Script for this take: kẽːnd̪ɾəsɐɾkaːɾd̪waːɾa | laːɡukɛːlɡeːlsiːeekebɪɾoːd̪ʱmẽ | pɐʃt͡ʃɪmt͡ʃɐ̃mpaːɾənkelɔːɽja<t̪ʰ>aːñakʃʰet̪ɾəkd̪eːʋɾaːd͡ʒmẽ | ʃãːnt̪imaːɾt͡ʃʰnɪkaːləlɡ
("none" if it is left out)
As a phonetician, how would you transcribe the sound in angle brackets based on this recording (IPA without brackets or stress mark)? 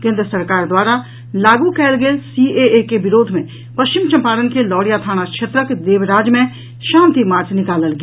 t̪ʰ